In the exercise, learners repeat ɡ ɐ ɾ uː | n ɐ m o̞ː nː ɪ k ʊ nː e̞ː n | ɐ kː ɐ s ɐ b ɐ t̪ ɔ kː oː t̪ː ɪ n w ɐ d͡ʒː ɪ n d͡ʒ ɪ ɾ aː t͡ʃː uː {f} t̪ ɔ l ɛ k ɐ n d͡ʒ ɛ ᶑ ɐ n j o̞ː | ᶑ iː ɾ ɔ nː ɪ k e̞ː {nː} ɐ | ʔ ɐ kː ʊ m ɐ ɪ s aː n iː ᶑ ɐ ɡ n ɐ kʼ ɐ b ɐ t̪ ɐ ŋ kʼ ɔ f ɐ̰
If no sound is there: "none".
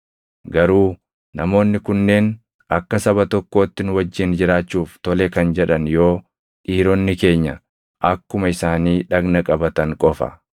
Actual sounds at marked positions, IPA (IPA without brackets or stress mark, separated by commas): f, ɲː